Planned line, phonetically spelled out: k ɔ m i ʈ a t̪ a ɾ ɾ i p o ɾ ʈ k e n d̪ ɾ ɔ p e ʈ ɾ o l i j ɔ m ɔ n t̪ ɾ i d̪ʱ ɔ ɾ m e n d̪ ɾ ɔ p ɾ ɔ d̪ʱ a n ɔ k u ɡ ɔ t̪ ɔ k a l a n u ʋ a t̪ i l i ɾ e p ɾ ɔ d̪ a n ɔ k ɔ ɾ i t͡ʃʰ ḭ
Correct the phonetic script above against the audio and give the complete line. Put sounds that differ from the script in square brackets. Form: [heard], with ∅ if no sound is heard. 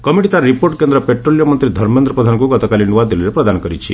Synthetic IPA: k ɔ m i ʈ [i] t̪ a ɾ ɾ i p o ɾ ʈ k e n d̪ ɾ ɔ p e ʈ ɾ o l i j ɔ m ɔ n t̪ ɾ i d̪ʱ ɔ ɾ m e n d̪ ɾ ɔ p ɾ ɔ d̪ʱ a n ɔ k u ɡ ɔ t̪ ɔ k a l [i] n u ʋ a [d̪] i l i ɾ e p ɾ ɔ d̪ a n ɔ k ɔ ɾ i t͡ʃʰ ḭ